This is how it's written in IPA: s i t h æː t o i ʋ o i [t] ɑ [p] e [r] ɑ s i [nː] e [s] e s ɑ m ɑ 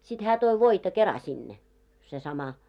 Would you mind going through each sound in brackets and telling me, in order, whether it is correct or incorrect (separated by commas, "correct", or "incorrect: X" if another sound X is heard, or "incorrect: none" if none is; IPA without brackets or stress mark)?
correct, incorrect: k, correct, correct, correct